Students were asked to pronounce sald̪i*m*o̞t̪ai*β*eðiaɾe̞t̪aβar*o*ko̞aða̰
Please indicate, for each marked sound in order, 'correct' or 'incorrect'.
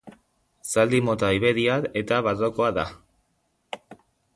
correct, correct, correct

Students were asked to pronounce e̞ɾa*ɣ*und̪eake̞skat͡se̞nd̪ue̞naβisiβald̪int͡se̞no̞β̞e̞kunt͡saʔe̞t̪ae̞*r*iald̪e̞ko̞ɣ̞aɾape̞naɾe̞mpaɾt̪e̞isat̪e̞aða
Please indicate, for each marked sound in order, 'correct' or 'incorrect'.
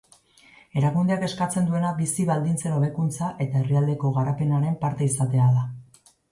correct, correct

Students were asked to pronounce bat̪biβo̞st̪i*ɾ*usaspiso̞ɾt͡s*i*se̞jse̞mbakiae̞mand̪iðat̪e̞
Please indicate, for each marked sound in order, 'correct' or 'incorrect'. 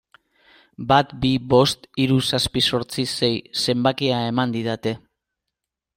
correct, correct

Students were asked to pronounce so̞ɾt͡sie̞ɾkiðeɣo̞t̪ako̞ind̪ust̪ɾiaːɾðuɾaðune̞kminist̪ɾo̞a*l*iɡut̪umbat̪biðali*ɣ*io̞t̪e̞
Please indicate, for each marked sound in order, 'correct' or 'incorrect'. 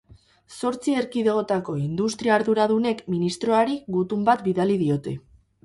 incorrect, incorrect

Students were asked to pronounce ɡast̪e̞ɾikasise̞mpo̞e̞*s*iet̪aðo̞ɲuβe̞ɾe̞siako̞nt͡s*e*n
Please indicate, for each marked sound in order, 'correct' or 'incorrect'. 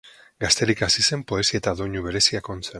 correct, correct

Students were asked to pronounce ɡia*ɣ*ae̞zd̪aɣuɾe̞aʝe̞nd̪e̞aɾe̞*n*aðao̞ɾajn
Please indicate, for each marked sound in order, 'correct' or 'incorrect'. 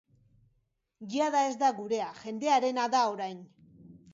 incorrect, correct

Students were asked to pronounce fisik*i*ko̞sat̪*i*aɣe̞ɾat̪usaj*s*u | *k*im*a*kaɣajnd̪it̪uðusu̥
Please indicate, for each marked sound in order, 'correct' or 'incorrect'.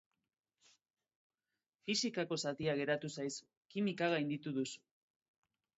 incorrect, correct, correct, correct, incorrect

